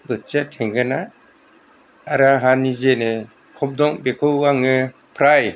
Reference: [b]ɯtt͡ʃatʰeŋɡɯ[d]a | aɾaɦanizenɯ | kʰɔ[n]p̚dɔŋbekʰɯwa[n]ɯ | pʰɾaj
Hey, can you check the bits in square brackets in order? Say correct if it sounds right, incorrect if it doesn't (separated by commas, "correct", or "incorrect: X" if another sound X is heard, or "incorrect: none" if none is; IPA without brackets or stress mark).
correct, incorrect: n, incorrect: none, incorrect: ŋ